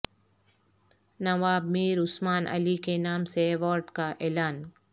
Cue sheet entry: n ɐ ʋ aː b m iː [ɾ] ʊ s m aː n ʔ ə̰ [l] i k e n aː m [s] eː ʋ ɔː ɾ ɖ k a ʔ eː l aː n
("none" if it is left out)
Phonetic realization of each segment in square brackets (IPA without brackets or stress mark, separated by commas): ɾ, l, s